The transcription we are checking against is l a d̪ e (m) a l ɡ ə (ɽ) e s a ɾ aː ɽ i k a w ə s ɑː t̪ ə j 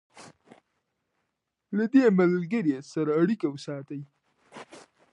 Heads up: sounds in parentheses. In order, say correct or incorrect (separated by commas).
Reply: correct, incorrect